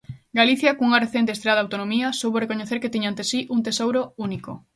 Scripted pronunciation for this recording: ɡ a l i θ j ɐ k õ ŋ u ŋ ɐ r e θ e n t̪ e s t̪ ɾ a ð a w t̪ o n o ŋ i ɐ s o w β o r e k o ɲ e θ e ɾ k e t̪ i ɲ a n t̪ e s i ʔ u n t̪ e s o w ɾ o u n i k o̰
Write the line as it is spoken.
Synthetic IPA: ɡ a l i θ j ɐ k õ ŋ u ŋ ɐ r e θ e n t̪ e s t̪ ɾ a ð a w t̪ o n o m i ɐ s o w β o r e k o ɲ e θ e ɾ k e t̪ i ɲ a n t̪ e s i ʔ u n t̪ e s o w ɾ o u n i k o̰

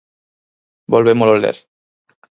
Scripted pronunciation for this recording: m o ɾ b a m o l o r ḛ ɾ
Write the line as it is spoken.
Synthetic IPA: b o l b e m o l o l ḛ ɾ

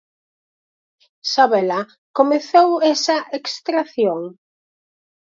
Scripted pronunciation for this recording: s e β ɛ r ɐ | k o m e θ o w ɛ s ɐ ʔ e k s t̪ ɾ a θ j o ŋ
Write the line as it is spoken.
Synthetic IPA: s a β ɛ l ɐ | k o m e θ o w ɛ s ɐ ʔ e k s t̪ ɾ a θ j o ŋ

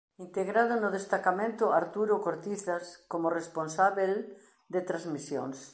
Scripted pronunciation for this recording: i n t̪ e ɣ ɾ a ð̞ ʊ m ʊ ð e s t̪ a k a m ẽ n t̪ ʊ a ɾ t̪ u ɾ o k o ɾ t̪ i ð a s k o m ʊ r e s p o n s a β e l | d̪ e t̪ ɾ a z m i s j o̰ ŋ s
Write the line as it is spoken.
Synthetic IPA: i n t̪ e ɣ ɾ a ð̞ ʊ n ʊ ð e s t̪ a k a m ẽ n t̪ ʊ a ɾ t̪ u ɾ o k o ɾ t̪ i θ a s k o m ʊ r e s p o n s a β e l | d̪ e t̪ ɾ a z m i s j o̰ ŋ s

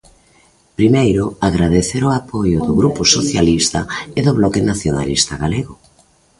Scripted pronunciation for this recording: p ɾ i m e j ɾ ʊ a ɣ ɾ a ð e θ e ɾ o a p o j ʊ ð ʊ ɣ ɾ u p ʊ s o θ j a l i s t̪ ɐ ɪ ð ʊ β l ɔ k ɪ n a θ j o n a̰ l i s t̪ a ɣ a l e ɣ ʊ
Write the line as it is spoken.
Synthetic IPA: p ɾ i m e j ɾ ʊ a ɣ ɾ a ð e θ e ɾ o a p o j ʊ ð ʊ ɣ ɾ u p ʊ s o θ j a l i s t̪ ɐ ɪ ð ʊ β l ɔ k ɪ n a θ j o n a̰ l i s t̪ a ɣ a l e ɣ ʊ

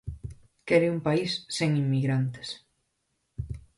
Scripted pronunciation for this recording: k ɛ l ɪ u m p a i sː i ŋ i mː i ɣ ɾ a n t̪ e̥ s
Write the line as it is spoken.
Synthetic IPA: k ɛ ɾ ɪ u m p a i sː e ŋ i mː i ɣ ɾ a n t̪ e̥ s

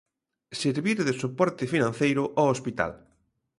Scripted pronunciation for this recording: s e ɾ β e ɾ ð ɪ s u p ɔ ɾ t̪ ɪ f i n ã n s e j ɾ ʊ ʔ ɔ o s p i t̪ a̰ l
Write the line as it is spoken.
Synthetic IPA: s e ɾ β i ɾ ð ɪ s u p ɔ ɾ t̪ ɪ f i n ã n θ e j ɾ ʊ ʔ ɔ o s p i t̪ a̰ l

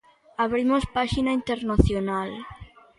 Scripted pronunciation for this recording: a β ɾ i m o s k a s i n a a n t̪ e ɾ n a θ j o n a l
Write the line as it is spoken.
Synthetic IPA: a β ɾ i m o s p a ʃ i n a i n t̪ e ɾ n a θ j o n a l

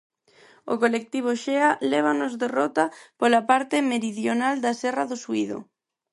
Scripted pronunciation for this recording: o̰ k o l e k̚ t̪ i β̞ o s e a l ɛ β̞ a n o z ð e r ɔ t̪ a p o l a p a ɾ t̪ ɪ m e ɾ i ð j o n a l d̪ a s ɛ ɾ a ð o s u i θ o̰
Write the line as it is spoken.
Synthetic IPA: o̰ k o l e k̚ t̪ i β̞ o ʃ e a l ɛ β̞ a n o z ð e r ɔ t̪ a p o l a p a ɾ t̪ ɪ m e ɾ i ð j o n a l d̪ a s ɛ r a ð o s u i ð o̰

